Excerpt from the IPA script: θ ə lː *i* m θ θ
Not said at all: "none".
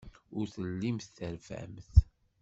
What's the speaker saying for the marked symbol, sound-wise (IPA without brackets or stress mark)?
i